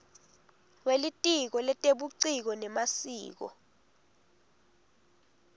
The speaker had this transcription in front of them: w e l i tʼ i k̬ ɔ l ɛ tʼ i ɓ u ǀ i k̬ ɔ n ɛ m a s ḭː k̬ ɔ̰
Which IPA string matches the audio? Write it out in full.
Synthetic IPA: w e l i tʼ i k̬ ɔ l ɛ tʼ e ɓ u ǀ i k̬ ɔ n ɛ m a s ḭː k̬ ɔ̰